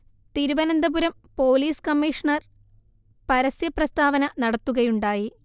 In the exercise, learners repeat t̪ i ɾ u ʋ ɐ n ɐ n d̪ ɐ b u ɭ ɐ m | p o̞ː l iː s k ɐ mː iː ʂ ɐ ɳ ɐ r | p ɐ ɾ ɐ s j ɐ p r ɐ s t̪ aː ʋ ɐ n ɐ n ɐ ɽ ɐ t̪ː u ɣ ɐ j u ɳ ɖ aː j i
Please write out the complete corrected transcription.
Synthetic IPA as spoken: t̪ i ɾ u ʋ ɐ n ɐ n d̪ ɐ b u ɾ ɐ m | p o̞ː l iː s k ɐ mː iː ʂ ɐ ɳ ɐ r | p ɐ ɾ ɐ s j ɐ p r ɐ s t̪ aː ʋ ɐ n ɐ n ɐ ɽ ɐ t̪ː u ɣ ɐ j u ɳ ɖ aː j i